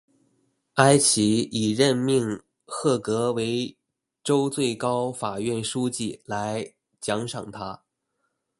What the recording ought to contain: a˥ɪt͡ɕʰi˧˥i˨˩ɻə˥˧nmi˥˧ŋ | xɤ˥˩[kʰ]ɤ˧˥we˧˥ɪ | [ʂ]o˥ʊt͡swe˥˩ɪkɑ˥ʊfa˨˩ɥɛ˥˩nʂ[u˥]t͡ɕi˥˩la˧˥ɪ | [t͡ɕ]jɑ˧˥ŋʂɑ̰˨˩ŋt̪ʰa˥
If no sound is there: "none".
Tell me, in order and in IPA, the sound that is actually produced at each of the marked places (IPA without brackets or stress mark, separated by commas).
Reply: k, ʈ͡ʂ, u˥, t͡ɕ